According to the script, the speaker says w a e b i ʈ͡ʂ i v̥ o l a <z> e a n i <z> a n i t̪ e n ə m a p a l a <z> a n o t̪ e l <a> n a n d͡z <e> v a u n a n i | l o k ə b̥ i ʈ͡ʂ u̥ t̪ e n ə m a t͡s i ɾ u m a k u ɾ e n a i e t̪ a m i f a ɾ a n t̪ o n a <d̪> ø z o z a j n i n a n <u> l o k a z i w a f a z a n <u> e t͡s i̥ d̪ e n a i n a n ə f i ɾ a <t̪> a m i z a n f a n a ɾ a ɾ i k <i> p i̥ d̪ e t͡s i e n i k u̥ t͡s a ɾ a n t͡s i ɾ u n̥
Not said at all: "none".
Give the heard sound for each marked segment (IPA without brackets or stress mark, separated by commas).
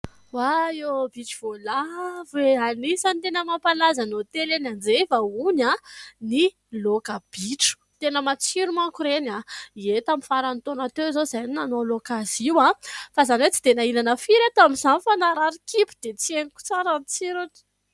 v, s, z, e, e, t̪, o, w, t̪, i